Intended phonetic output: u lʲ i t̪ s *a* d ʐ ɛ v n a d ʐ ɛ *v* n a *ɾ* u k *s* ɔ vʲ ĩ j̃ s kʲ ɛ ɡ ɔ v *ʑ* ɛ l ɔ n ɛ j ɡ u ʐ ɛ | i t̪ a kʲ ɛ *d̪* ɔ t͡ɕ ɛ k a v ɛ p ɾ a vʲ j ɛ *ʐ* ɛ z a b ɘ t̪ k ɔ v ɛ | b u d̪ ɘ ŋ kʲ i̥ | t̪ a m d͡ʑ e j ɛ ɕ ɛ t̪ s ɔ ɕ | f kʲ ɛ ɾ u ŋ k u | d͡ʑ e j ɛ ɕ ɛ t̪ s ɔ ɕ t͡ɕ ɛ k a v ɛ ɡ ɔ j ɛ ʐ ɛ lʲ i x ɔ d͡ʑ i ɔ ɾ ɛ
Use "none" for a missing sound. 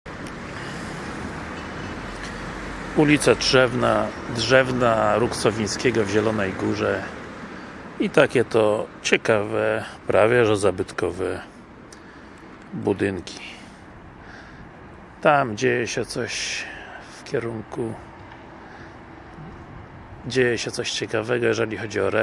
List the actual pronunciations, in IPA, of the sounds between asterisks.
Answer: a, v, ɾ, s, ʑ, t̪, ʐ

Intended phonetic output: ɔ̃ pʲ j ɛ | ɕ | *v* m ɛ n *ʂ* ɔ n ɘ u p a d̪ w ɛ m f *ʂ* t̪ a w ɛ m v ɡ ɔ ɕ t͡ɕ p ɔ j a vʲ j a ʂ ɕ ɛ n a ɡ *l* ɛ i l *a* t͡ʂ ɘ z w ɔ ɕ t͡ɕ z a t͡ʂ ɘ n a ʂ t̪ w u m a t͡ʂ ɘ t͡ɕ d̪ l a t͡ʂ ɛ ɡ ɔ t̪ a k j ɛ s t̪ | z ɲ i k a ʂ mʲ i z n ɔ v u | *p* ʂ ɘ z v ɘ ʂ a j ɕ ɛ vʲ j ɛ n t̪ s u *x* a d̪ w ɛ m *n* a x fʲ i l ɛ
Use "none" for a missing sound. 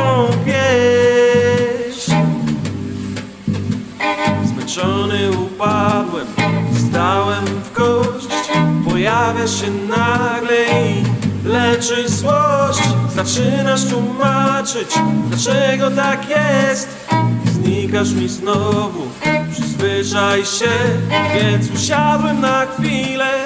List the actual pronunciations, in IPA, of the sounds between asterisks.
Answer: z, t͡ʂ, s, l, ɛ, p, ɕ, n

